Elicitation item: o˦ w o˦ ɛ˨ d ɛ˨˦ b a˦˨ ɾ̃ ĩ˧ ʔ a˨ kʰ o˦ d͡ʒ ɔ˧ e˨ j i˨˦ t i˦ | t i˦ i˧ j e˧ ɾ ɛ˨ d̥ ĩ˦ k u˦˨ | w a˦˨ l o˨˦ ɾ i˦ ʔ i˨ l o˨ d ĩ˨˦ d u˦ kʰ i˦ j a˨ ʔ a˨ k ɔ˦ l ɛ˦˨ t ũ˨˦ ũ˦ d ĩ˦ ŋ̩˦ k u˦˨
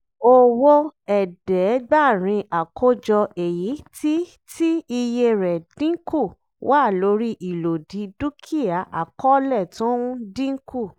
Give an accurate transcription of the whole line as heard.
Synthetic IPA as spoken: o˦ w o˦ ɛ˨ d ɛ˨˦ ɡ͡b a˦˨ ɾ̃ ĩ˧ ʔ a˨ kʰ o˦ d͡ʒ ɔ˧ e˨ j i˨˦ t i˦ | t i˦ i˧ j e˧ ɾ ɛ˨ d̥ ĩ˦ k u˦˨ | w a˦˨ l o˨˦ ɾ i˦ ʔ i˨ l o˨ d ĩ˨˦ d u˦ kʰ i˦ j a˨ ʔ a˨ k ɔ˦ l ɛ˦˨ t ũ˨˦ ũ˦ d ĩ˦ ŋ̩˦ k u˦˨